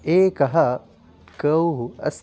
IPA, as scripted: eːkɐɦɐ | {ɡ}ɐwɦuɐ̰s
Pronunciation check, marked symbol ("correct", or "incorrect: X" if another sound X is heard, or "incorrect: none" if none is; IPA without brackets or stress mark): incorrect: k